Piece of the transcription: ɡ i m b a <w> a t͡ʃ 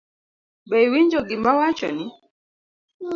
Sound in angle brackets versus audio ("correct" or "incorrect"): correct